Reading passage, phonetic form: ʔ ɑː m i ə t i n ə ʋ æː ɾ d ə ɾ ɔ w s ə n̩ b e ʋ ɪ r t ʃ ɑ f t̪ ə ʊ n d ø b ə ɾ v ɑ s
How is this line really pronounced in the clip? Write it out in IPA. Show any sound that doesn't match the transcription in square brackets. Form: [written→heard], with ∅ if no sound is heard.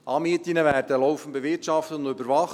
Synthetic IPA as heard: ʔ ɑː m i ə t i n ə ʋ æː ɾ d ə [ɾ→l] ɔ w [s→f] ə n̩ b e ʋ ɪ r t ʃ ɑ f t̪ ə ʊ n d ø b ə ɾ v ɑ [s→χ]

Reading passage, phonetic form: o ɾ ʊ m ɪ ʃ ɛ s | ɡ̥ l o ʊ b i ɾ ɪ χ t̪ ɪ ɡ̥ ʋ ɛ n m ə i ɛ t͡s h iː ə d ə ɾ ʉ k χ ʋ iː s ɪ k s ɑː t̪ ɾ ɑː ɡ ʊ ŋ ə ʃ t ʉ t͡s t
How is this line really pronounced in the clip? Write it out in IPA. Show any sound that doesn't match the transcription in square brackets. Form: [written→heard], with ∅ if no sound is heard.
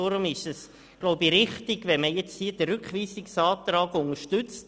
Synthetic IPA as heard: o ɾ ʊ m ɪ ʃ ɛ s | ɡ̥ l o ʊ b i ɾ ɪ χ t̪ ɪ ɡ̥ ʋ ɛ n m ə [i→j] ɛ t͡s h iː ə d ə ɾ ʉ k χ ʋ iː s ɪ k s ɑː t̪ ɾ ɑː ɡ ʊ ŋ ə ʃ t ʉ t͡s t

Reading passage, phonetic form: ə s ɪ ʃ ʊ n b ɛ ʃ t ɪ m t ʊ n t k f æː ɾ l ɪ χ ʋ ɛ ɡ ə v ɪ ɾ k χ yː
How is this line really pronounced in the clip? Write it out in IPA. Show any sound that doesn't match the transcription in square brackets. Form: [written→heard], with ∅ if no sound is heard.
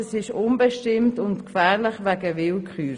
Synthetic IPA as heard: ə s ɪ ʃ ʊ n b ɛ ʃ t ɪ m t ʊ n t k f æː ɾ l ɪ χ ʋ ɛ ɡ ə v ɪ [ɾ→l] k χ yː

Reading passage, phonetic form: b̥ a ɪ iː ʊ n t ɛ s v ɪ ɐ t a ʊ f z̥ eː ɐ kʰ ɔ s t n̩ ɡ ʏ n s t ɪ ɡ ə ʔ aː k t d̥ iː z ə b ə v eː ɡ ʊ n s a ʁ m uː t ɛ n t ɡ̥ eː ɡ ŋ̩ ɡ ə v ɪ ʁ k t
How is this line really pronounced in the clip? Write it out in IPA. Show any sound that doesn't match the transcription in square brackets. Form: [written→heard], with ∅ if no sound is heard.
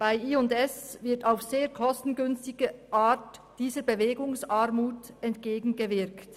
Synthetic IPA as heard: b̥ a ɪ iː ʊ n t ɛ s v ɪ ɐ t a ʊ f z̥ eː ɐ kʰ ɔ s t n̩ ɡ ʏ n s t ɪ ɡ ə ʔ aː [k→∅] t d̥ iː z ə b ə v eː ɡ ʊ [n→ŋ] s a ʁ m uː t ɛ n t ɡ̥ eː ɡ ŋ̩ ɡ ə v ɪ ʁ k t

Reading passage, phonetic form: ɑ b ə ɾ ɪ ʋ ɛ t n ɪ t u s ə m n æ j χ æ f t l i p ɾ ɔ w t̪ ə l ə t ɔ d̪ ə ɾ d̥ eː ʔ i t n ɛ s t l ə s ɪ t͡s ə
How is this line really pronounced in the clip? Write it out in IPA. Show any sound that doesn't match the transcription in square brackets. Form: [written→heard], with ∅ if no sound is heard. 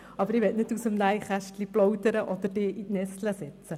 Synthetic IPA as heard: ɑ b ə ɾ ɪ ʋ ɛ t n ɪ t u s ə m n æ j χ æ [f→ʃ] t l i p [ɾ→l] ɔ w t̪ ə [l→ɾ] ə [t→ʔ] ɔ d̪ ə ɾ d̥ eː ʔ i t n ɛ s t l ə s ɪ t͡s ə

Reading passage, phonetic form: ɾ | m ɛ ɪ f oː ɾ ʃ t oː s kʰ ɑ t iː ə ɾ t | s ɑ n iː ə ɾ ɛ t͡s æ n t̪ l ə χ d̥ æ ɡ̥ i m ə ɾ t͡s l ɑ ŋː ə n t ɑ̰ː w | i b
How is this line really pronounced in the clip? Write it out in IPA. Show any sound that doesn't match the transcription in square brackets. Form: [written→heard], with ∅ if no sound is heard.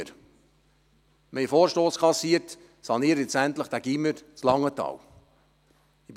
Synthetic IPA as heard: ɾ | m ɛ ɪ f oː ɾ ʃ t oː s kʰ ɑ [t→s] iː ə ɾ t | s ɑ n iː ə ɾ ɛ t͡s æ n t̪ l ə χ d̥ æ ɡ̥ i m ə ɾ t͡s l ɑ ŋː ə [n→∅] t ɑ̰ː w | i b

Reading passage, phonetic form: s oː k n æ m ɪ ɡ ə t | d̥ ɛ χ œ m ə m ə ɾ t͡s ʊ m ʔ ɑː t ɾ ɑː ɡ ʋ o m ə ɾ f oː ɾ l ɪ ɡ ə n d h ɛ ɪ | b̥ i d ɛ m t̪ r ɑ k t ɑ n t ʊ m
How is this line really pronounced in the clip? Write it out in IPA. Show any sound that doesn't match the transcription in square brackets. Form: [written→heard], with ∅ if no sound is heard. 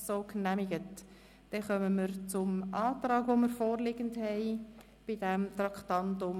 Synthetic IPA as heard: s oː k n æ m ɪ ɡ ə t | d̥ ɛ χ œ m ə m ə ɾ t͡s ʊ m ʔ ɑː t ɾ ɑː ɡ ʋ o m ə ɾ f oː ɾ l ɪ ɡ ə n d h ɛ ɪ | b̥ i d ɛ m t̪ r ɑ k t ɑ n t ʊ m

